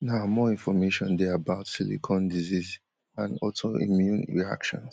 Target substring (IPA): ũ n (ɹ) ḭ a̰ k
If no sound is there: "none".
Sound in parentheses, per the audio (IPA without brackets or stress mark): ɹ